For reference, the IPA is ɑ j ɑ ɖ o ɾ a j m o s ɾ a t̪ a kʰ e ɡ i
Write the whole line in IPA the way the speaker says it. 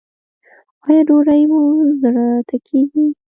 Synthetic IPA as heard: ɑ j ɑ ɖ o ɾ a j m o z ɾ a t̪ a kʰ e ɡ i

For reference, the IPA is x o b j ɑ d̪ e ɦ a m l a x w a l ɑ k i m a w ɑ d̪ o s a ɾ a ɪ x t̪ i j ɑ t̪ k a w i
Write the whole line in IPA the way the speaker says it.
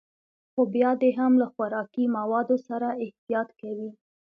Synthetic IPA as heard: x o b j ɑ d̪ e ɦ a m l a x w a ɾ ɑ k i m a w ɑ d̪ o s a ɾ a ɪ h t̪ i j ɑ t̪ k a w i

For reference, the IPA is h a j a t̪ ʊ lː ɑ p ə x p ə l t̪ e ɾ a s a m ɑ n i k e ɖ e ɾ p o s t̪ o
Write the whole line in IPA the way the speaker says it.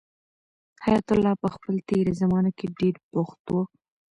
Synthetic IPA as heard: h a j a t̪ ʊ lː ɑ p ə x p ə l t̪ e ɾ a z a m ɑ n a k e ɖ e ɾ p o x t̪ o

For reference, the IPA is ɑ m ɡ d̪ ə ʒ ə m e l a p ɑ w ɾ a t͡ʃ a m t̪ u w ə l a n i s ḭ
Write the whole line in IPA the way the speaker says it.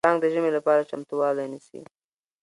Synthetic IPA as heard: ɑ ŋ ɡ d̪ ə ʒ ə m e l a p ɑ ɾ a t͡ʃ a m t̪ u w ɑ l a n i s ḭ

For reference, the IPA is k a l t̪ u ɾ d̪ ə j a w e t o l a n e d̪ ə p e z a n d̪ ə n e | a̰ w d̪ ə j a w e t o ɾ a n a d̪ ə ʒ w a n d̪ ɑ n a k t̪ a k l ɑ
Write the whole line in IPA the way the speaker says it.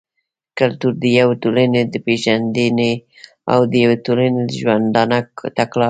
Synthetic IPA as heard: k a l t̪ u ɾ d̪ ə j a w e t o l a n e d̪ ə p e ʒ a n d̪ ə n e | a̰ w d̪ ə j a w e t o l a n e d̪ ə ʒ w a n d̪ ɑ n a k t̪ a k l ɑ

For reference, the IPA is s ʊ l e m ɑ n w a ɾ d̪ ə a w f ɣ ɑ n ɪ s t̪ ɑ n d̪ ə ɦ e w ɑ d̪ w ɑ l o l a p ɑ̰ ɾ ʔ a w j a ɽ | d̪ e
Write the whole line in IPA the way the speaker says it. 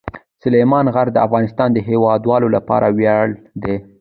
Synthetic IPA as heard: s ʊ l e m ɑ n ɣ a ɾ d̪ ə a f ɣ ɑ n ɪ s t̪ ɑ n d̪ ə ɦ e w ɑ d̪ w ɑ l o l a p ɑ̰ ɾ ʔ a w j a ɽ | d̪ e

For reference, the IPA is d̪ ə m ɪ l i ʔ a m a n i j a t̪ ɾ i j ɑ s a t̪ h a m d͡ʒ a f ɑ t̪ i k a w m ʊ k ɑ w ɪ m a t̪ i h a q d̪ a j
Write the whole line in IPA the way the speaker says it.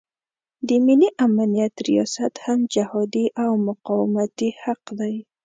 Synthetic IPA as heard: d̪ ə m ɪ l i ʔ a m a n i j a t̪ ɾ i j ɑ s a t̪ h a m d͡ʒ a h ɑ d̪ i ʔ a w m ʊ q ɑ w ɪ m a t̪ i h a q d̪ a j

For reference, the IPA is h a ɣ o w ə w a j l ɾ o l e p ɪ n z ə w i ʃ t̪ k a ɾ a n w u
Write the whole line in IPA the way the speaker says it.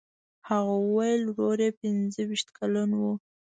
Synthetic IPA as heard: h a ɣ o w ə w a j l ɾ o ɾ e p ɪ n z ə w i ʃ t̪ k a l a n w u

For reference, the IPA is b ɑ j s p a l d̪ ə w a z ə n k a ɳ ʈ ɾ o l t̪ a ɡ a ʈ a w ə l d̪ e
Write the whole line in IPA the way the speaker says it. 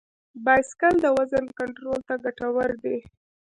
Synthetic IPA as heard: b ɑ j s k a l d̪ ə w a z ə n k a ɳ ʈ ɾ o l t̪ a ɡ a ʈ a w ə ɾ d̪ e

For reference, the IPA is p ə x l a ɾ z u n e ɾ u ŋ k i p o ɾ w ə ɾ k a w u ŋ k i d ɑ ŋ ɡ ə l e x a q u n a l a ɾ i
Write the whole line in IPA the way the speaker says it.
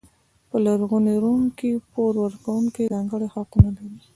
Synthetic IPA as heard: p ə l a ɾ ɣ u n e ɾ u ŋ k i p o ɾ w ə ɾ k a w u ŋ k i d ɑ ŋ ɡ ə ɽ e x a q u n a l a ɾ i

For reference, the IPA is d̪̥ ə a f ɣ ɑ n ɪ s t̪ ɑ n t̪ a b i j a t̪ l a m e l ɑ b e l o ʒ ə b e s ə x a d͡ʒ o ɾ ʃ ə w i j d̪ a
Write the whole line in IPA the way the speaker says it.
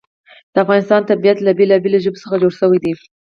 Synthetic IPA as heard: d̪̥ ə a f ɣ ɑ n ɪ s t̪ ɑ n t̪ a b i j a t̪ l a b e l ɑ b e l o ʒ ə b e s ə x a d͡ʒ o ɽ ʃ ə w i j d̪ i

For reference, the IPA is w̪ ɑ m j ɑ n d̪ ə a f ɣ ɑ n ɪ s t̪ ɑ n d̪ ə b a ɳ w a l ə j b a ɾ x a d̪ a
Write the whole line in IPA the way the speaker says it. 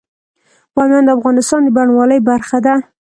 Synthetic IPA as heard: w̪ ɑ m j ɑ n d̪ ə a f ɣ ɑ n ɪ s t̪ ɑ n d̪ ə b a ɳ w ɑ l ə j b a ɾ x a d̪ a

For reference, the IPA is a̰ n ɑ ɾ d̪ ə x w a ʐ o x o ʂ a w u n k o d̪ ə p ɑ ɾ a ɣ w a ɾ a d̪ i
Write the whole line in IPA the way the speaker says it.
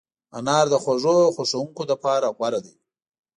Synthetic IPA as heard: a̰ n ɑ ɾ d̪ ə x w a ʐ o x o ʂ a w u ŋ k o d̪ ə p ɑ ɾ a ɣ w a ɾ a d̪ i

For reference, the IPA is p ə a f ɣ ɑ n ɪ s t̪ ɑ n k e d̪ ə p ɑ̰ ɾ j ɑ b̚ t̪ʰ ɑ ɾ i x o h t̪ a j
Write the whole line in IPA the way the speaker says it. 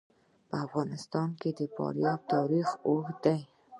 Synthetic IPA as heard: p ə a f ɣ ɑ n ɪ s t̪ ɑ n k e d̪ ə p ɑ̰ ɾ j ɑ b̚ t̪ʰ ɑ ɾ i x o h d̪ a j

